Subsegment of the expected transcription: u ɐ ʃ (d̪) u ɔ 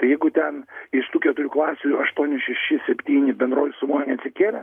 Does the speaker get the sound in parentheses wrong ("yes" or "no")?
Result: yes